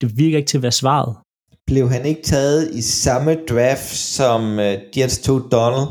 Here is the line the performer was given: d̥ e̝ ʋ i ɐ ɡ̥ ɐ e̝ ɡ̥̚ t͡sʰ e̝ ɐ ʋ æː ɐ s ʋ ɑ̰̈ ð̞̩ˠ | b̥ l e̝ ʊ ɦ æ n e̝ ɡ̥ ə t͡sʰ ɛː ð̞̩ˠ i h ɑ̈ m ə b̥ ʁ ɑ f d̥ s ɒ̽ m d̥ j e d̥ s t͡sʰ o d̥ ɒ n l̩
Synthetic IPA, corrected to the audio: d̥ e̝ ʋ i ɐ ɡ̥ ɐ e̝ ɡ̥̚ t͡sʰ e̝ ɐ ʋ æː ɐ s ʋ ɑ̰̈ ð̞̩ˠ | b̥ l e̝ ʊ ɦ æ n e̝ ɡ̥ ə t͡sʰ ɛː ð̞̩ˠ i s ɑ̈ m ə d̥ ʁ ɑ f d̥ s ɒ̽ m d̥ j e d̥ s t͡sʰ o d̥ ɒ n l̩